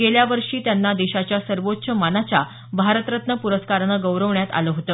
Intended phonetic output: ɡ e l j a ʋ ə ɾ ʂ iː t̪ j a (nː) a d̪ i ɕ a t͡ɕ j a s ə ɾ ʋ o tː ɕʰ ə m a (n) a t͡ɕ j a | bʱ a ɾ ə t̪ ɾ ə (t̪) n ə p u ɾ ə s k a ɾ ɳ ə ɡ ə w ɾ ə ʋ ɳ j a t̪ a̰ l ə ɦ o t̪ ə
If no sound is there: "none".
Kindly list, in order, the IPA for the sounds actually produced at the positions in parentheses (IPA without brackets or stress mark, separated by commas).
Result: nː, n, t̪